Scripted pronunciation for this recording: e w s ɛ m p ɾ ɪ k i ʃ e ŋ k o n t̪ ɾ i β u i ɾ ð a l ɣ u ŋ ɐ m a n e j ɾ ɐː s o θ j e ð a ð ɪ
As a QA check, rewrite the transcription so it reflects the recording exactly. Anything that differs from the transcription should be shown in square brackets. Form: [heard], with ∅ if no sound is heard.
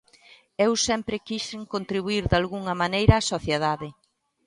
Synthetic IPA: e w s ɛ m p ɾ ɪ k i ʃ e ŋ k o n t̪ ɾ i β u i ɾ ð a l ɣ u ŋ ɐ m a n e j ɾ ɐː s o θ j e ð a ð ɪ